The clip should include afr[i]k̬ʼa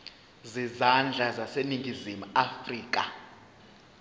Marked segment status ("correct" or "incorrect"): incorrect